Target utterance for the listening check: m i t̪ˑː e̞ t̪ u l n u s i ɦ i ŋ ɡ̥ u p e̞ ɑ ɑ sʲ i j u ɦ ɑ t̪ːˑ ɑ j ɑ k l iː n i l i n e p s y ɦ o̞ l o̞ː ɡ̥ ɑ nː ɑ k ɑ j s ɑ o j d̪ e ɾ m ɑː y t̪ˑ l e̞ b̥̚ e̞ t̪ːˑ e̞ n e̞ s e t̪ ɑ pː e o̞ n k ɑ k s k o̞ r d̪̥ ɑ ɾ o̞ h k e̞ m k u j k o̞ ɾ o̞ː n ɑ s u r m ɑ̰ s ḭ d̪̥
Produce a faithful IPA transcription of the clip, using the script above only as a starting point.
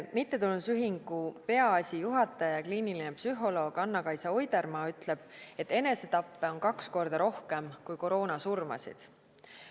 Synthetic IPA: m i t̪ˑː e̞ t̪ u l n u s y ɦ i ŋ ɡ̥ u p e̞ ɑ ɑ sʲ i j u ɦ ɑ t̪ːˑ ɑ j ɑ k l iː n i l i n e p s y ɦ o̞ l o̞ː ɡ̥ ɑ nː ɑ k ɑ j s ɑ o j d̪ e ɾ m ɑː y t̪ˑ l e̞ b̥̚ e̞ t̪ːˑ e̞ n e̞ s e t̪ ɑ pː e o̞ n k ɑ k s k o̞ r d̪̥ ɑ ɾ o̞ h k e̞ m k u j k o̞ ɾ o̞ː n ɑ s u r m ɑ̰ s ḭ d̪̥